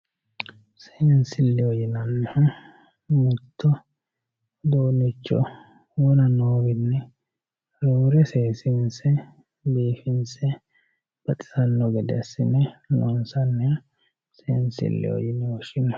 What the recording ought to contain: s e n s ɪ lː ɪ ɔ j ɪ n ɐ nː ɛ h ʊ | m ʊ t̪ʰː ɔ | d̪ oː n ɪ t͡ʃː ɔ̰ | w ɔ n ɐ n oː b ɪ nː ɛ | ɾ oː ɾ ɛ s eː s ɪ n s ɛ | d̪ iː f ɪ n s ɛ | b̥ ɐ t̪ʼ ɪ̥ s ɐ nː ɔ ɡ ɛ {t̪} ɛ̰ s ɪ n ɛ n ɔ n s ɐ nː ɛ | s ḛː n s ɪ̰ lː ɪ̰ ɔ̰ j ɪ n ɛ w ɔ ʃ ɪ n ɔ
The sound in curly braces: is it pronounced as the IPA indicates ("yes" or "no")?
no